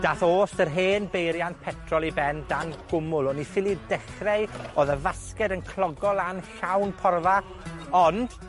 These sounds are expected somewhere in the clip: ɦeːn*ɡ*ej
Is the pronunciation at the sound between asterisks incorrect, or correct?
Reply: incorrect